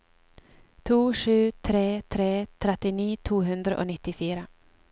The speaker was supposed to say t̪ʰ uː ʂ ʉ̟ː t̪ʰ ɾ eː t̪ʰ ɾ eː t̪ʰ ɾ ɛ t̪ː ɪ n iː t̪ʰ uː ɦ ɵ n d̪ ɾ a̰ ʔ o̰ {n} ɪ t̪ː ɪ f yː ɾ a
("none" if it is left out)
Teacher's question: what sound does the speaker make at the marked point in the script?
n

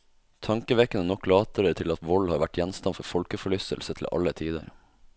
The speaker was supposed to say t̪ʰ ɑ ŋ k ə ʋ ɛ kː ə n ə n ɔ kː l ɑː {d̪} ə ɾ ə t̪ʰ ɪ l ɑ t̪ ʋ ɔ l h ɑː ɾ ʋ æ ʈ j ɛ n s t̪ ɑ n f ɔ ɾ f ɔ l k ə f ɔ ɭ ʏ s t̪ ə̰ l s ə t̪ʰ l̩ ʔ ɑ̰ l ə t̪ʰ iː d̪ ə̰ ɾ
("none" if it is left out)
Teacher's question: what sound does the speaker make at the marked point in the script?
t̪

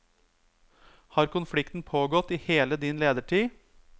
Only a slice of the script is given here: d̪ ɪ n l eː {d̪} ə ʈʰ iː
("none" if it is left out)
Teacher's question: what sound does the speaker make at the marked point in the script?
d̪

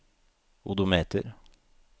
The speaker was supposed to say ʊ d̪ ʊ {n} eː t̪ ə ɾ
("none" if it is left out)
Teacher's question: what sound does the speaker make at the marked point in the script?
m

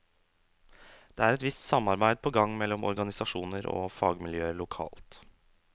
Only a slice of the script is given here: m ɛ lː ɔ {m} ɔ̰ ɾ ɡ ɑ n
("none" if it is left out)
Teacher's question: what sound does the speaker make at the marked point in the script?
m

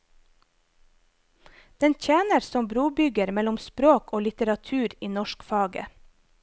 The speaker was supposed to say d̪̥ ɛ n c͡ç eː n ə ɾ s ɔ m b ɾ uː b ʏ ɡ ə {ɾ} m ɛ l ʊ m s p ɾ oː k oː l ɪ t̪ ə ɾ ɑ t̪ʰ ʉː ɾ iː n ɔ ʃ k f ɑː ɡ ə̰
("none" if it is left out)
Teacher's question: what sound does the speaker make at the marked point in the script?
ɾ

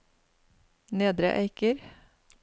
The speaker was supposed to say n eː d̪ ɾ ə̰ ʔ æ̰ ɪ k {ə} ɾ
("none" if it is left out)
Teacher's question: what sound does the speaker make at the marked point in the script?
ə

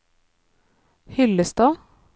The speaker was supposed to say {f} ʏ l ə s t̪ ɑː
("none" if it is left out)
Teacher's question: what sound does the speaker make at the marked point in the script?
h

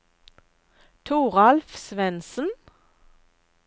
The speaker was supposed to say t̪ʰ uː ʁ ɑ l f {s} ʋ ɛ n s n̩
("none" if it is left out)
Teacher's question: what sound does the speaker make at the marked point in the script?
s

